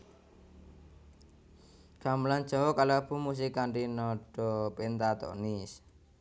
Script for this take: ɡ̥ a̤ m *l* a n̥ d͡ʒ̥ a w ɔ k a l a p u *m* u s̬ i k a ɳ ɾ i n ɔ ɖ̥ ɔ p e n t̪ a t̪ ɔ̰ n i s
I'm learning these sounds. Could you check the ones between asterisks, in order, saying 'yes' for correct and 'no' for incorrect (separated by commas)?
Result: yes, yes